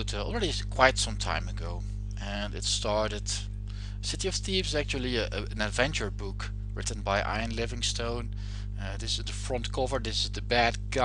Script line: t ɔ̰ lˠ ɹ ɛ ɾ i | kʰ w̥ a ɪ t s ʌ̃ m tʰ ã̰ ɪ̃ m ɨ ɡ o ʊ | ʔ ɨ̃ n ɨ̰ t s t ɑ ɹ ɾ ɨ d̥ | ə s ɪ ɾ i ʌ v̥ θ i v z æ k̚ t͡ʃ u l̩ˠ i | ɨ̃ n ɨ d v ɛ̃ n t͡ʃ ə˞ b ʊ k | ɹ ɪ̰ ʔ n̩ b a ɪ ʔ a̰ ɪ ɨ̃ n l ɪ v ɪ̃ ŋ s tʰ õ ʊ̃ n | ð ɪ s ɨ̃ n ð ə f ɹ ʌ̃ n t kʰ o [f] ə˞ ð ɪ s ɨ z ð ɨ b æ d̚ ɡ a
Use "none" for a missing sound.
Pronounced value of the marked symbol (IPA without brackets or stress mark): v